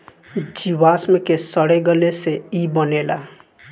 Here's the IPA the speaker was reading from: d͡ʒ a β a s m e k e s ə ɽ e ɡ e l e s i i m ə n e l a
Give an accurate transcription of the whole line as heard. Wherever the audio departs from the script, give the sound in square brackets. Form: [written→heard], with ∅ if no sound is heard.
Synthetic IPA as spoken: d͡ʒ [a→i] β a s m e k e s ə ɽ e ɡ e l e s [i→e] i [m→b] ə n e l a